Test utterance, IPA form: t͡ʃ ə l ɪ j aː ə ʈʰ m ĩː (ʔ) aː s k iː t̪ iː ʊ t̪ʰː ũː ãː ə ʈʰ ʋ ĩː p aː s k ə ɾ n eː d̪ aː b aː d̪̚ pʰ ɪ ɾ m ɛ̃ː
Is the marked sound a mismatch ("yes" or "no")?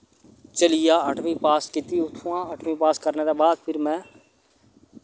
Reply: yes